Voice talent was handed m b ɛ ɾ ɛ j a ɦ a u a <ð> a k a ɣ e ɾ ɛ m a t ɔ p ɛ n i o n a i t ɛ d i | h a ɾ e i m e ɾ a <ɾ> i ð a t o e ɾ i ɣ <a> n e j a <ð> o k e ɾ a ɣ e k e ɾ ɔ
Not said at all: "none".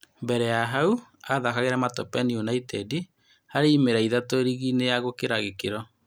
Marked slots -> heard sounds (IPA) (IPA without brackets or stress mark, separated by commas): ð, none, i, ɣ